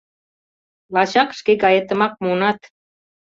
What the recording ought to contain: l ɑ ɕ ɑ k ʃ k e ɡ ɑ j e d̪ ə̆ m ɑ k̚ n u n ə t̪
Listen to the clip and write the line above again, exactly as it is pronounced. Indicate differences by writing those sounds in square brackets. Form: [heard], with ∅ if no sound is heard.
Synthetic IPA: l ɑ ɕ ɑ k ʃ k e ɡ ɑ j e [t̪] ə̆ m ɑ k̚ [m] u n [ɑ] t̪